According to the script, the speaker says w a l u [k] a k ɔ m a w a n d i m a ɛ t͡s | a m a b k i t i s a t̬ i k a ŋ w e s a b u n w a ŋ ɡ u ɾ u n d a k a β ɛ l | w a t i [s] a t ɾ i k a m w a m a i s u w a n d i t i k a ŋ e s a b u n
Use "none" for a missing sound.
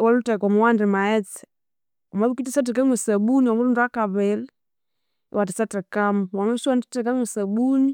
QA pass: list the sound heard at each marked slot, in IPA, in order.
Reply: t, s

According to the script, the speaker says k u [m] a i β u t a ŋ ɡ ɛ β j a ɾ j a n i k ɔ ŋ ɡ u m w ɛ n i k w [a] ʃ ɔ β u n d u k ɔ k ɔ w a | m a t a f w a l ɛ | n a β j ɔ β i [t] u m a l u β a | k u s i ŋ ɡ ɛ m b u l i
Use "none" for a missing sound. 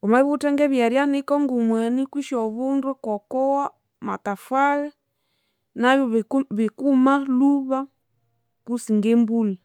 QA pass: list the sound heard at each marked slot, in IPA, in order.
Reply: m, i, k

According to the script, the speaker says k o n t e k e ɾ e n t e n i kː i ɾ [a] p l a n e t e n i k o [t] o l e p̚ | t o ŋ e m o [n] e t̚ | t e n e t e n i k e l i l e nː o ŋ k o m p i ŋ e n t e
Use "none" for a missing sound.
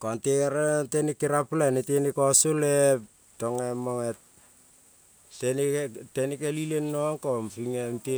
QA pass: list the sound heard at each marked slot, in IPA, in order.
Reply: a, s, ŋ

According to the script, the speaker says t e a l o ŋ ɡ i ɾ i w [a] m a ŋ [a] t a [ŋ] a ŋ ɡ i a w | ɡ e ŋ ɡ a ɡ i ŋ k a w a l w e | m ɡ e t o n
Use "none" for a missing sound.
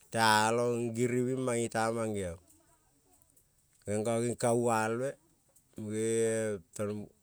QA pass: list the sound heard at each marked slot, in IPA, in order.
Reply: i, i, m

